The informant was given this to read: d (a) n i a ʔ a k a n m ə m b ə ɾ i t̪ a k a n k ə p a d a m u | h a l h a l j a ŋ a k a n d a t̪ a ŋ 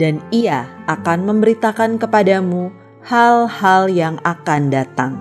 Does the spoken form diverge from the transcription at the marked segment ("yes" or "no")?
no